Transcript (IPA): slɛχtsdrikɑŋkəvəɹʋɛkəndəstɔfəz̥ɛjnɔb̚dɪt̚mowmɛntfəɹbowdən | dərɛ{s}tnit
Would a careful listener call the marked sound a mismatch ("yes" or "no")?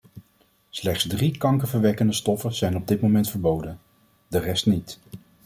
no